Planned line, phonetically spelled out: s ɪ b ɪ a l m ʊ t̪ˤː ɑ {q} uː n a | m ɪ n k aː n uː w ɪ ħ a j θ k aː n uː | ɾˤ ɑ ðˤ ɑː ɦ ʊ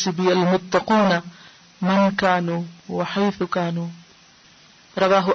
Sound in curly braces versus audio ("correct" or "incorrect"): correct